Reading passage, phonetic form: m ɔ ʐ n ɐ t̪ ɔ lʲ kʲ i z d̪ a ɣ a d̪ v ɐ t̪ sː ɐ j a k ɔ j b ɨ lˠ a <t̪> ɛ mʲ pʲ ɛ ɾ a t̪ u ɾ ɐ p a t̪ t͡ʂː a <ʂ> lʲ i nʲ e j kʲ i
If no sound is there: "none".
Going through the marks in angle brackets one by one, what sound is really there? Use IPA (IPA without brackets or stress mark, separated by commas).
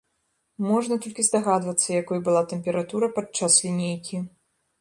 t̪, s